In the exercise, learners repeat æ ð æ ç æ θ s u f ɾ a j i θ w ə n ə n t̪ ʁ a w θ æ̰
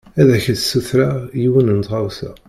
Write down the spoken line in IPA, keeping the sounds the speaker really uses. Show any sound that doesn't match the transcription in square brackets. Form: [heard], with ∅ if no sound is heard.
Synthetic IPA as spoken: æ ð æ ç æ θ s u [θ] ɾ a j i [∅] w ə n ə n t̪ ʁ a w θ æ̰